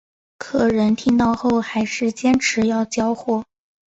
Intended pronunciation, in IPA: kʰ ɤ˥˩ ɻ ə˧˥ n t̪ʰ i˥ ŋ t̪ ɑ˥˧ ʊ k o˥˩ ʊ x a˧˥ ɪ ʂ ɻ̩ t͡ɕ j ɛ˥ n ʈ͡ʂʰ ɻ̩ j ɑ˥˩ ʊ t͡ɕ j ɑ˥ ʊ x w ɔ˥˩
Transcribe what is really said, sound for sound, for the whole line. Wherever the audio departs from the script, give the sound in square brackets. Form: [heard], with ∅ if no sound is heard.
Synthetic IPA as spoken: kʰ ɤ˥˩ ɻ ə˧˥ n t̪ʰ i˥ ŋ t̪ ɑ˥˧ ʊ [x] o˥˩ ʊ x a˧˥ ɪ ʂ ɻ̩ t͡ɕ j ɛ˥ n ʈ͡ʂʰ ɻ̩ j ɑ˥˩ ʊ t͡ɕ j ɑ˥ ʊ x w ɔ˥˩